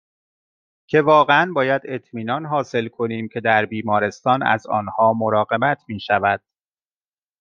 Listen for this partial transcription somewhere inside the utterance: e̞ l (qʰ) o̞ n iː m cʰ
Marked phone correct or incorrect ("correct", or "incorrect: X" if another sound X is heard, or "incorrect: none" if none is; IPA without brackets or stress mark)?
incorrect: kʰ